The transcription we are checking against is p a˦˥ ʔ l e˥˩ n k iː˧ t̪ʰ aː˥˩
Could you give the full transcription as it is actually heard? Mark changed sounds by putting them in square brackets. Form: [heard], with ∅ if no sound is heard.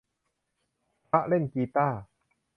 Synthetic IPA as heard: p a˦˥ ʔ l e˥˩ n k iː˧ [t̪] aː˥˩